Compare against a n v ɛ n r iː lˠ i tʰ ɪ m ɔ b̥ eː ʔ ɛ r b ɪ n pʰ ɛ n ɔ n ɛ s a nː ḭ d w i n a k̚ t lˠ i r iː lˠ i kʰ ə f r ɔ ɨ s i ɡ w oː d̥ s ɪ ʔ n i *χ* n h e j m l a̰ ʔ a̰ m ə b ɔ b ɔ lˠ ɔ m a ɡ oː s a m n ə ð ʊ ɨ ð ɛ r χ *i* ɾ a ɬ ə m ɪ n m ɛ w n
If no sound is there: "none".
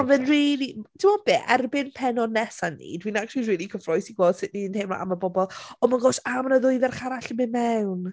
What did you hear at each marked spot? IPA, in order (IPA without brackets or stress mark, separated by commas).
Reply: none, a